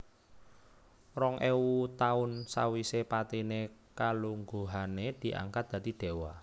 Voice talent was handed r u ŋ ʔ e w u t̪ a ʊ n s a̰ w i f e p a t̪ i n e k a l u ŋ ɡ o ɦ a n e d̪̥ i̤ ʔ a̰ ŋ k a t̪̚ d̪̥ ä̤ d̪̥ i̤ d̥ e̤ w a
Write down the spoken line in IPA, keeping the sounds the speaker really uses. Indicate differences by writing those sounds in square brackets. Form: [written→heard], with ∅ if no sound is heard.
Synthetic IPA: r [u→ɔ] ŋ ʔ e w u t̪ a ʊ n s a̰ w i [f→s] e p a t̪ i n e k a l u ŋ ɡ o ɦ a n e d̪̥ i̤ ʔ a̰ ŋ k a t̪̚ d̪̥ ä̤ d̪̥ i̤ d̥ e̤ w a